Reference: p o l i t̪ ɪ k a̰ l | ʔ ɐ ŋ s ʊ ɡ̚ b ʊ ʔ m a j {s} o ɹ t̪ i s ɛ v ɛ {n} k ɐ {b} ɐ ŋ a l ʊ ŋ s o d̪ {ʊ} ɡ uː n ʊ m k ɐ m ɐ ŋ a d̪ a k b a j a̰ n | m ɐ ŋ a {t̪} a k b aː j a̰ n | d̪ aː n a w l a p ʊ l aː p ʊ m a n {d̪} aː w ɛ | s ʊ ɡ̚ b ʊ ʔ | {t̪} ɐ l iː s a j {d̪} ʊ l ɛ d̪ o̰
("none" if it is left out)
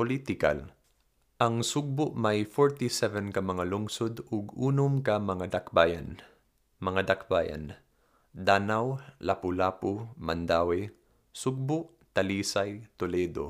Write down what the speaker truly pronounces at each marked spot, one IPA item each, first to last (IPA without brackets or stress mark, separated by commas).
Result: f, n, m, ʊ, d̪, d̪, t̪, t̪